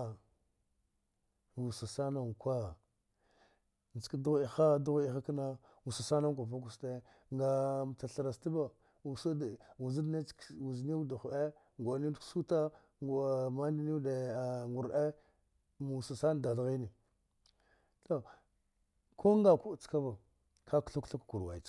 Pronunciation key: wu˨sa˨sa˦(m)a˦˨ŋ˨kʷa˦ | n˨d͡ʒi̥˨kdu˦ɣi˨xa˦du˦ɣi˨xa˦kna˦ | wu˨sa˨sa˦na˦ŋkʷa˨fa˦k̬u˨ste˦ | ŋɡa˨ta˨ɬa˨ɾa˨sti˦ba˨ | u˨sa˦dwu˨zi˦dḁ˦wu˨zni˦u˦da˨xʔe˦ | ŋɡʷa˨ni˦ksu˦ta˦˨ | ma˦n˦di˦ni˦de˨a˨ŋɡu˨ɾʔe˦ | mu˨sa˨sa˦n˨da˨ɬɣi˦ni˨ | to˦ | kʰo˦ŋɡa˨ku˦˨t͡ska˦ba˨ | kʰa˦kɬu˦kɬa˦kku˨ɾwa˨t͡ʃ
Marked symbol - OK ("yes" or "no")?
no